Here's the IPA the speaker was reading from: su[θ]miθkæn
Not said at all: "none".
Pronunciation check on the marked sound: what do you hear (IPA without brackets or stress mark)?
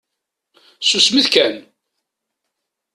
s